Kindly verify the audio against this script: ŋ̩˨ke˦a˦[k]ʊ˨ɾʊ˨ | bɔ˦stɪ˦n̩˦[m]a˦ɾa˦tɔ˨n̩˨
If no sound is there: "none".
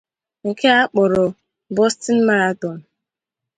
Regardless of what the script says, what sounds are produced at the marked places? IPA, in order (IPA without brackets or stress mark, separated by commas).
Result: k͡p, m